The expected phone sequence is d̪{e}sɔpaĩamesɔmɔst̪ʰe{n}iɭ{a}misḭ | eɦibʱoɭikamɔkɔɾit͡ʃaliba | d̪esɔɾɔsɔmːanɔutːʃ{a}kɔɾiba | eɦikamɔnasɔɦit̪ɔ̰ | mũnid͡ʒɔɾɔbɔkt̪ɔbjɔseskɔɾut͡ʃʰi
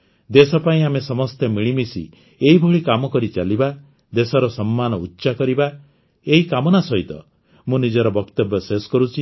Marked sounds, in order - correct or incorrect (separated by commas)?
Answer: correct, incorrect, incorrect, correct